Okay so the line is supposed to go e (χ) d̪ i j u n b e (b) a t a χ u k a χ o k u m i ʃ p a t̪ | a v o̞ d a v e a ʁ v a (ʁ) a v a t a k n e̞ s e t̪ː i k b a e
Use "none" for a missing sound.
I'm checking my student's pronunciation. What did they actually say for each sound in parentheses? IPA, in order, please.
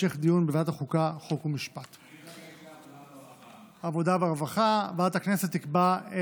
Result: χ, v, χ

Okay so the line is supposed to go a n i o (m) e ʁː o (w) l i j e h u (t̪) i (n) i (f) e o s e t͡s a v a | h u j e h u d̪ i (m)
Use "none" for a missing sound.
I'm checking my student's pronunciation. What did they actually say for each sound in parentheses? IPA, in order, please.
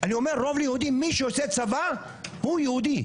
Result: m, v, d̪, m, ʃ, none

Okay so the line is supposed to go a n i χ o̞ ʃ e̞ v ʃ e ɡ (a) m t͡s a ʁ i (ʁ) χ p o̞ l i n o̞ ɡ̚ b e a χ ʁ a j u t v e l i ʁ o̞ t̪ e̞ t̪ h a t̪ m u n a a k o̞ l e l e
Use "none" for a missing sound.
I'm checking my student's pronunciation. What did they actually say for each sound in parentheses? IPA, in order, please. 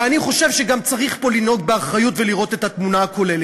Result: a, none

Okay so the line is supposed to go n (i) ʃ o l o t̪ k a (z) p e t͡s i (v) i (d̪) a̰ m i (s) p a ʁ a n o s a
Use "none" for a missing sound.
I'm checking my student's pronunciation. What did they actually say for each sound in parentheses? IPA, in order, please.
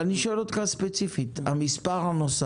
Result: i, s, f, t̪, s

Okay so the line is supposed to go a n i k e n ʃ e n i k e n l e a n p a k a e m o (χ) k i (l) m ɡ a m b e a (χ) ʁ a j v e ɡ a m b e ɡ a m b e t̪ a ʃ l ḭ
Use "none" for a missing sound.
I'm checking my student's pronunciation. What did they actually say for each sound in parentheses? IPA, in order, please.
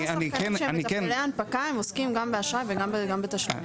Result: s, none, ʃ

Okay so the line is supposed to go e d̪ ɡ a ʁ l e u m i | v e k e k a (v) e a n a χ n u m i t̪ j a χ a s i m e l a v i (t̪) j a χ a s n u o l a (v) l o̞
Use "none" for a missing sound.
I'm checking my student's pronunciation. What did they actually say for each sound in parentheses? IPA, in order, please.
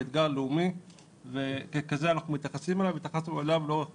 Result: z, t̪, v

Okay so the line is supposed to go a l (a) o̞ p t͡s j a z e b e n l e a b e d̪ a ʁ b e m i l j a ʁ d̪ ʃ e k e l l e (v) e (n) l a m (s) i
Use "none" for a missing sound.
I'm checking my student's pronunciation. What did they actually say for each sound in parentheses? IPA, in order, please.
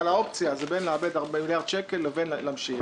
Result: a, v, n, ʃ

